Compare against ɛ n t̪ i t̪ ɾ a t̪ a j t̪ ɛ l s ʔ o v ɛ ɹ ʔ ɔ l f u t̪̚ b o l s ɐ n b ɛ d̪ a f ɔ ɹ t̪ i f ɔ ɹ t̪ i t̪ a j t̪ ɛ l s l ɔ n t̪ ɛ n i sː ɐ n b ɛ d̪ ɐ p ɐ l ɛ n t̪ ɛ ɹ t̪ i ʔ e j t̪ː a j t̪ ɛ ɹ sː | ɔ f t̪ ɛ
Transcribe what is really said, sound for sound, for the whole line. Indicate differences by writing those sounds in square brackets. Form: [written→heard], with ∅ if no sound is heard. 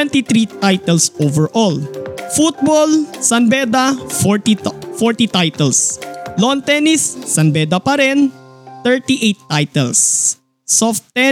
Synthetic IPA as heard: ɛ n t̪ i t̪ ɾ [a→i] t̪ a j t̪ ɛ l s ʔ o v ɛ ɹ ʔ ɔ l f u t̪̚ b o l s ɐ n b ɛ d̪ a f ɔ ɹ t̪ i f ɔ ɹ t̪ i t̪ a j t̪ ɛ l s l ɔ n t̪ ɛ n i sː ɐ n b ɛ d̪ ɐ p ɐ [l→ɾ] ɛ n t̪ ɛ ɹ t̪ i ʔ e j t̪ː a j t̪ ɛ [ɹ→l] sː | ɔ f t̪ ɛ